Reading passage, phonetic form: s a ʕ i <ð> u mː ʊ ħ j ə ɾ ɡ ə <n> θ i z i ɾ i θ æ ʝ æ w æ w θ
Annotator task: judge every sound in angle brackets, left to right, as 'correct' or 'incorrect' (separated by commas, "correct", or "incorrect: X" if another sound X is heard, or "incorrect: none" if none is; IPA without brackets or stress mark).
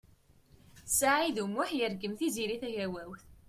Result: correct, incorrect: m